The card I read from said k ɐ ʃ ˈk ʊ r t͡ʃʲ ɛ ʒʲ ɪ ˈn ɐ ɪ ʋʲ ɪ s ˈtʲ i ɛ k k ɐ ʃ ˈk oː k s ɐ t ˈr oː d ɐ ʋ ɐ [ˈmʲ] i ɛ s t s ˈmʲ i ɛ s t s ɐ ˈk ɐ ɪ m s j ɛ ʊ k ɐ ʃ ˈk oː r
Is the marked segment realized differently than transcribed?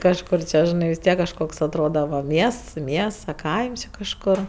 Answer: no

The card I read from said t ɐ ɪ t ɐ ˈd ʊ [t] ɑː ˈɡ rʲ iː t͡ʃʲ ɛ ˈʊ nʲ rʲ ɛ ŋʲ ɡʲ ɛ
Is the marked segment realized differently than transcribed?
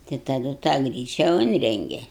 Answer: no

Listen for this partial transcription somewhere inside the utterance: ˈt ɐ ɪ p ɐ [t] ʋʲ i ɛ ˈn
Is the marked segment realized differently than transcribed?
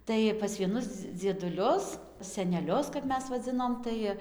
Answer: yes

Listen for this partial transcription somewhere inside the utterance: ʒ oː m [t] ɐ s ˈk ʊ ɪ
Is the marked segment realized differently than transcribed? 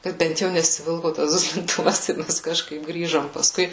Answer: yes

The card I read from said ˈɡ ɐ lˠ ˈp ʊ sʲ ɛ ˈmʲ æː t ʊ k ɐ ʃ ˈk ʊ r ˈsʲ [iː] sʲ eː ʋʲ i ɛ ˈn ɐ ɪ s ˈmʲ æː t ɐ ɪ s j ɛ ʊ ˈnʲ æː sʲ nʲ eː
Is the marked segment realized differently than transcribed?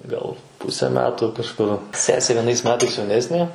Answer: yes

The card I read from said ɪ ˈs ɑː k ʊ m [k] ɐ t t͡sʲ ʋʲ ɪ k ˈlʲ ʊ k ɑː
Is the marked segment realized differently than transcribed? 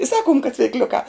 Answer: no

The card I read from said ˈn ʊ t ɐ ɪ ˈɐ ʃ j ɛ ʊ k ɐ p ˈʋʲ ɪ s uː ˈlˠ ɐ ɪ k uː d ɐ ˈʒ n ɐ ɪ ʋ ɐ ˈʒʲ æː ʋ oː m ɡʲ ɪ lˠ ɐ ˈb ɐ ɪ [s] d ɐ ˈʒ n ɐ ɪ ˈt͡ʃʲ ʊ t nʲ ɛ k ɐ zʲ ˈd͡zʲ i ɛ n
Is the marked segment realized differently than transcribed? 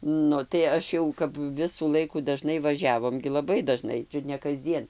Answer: yes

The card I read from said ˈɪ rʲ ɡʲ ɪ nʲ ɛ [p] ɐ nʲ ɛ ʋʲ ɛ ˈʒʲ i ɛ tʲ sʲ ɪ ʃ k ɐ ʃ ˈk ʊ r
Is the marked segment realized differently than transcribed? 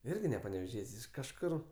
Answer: no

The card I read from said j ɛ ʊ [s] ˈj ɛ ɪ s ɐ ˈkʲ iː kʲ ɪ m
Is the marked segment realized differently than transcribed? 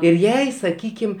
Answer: yes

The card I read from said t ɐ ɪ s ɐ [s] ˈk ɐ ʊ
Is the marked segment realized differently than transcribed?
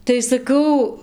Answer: yes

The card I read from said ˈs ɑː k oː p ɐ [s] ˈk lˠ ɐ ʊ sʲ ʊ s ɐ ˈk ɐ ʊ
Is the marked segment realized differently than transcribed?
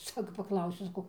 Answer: yes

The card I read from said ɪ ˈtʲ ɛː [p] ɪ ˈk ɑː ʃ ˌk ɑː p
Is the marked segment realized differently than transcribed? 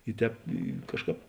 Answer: no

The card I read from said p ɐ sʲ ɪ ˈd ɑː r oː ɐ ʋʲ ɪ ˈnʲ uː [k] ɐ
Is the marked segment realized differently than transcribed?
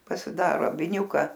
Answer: no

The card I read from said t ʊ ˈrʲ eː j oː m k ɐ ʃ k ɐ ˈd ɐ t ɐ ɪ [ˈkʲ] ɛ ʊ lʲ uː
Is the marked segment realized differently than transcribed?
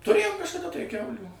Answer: no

